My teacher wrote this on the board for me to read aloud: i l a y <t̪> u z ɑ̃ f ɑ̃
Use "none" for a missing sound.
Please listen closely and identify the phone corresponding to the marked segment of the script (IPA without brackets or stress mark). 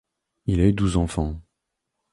d̪